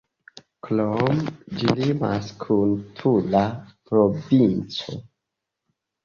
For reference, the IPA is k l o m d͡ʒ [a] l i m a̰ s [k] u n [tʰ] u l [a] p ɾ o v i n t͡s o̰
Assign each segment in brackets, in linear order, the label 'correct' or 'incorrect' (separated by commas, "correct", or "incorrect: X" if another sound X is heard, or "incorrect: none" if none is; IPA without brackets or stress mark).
incorrect: i, incorrect: kʰ, correct, correct